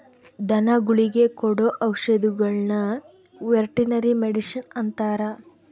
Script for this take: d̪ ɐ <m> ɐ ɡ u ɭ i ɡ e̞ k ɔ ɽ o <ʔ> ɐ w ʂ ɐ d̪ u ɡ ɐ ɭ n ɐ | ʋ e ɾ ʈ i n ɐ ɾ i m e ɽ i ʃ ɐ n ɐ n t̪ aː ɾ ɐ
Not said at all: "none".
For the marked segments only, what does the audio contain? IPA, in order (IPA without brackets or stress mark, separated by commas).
n, ʔ